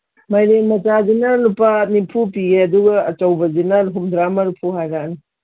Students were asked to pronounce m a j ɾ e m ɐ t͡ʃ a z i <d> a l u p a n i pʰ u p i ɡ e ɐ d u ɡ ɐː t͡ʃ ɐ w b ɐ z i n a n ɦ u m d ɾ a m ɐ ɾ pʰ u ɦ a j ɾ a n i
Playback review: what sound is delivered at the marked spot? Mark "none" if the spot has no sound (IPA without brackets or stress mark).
n